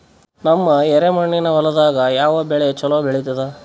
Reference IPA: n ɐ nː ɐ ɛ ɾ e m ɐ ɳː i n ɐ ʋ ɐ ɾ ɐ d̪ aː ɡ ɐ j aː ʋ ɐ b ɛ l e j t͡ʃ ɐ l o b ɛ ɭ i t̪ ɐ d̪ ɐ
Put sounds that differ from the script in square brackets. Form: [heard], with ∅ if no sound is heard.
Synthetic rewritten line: n ɐ [mː] ɐ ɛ ɾ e m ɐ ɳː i n ɐ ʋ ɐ [l] ɐ d̪ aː ɡ ɐ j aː ʋ ɐ b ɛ [ɭ] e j t͡ʃ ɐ l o b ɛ ɭ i t̪ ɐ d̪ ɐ